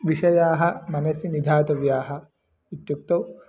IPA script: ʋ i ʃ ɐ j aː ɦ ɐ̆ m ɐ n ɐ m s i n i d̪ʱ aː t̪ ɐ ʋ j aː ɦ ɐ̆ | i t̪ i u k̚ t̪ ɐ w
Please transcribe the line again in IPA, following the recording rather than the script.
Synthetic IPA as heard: ʋ i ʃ ɐ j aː ɦ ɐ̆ m ɐ n ɐ s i n i d̪ʱ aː t̪ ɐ ʋ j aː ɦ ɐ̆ | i t̪ j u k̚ t̪ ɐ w